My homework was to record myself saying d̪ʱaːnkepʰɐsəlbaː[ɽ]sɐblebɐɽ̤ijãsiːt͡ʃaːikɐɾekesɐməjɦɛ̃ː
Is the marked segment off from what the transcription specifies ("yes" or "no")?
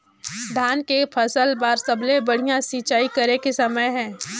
yes